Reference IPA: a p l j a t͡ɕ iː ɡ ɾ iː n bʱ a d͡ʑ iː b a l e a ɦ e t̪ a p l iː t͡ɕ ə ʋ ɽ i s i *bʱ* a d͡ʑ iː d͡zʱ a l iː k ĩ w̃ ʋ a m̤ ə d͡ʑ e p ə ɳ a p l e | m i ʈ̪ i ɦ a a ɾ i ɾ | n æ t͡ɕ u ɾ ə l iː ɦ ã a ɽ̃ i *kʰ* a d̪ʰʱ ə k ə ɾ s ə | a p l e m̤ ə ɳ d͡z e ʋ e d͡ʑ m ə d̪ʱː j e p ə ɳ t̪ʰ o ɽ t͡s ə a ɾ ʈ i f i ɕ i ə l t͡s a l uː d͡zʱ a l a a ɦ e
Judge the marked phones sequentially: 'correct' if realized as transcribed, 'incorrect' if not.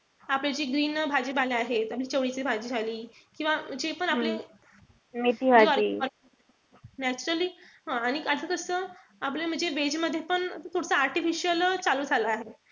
correct, incorrect: k

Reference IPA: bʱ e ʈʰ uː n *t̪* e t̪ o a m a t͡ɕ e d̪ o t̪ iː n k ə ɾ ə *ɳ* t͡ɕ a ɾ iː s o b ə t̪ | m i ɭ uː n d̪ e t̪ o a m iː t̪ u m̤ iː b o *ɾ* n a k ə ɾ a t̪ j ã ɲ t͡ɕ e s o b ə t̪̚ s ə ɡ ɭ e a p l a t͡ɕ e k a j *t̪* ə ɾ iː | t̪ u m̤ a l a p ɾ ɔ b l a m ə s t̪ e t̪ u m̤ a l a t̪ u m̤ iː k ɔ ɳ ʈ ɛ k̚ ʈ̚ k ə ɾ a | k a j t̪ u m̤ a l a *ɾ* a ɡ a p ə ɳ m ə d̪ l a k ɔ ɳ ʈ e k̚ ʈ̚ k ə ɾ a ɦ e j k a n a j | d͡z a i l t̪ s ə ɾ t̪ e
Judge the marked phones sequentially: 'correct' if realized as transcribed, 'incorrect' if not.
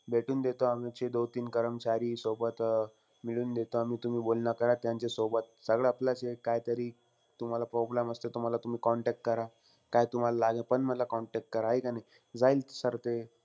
incorrect: d̪, incorrect: m, incorrect: l, correct, incorrect: l

